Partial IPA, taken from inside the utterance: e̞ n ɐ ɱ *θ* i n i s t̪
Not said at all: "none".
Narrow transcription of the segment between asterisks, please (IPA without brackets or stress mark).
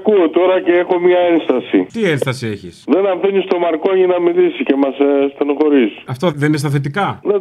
f